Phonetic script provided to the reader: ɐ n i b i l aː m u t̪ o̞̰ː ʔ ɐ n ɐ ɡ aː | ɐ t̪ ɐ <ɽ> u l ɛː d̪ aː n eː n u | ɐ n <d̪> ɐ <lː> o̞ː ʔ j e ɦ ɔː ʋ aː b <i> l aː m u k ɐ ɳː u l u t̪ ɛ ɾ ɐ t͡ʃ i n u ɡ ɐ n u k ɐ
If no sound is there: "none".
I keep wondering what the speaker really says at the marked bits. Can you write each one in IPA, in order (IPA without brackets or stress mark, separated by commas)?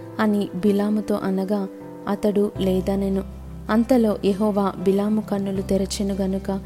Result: ɽ, t̪, l, i